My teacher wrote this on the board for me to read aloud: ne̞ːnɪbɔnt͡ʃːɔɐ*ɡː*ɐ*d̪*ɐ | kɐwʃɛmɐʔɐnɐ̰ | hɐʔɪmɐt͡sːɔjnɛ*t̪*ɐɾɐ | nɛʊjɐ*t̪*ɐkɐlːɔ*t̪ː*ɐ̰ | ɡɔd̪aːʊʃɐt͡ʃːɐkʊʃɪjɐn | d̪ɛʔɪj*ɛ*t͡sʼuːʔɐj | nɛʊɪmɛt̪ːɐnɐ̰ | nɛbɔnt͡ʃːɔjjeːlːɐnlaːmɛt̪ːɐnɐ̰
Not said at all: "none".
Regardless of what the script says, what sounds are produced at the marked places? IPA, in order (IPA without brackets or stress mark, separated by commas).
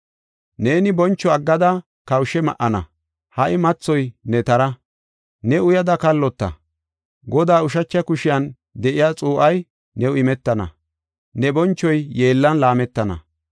ɡː, d̪, t̪, d̪, t̪ː, a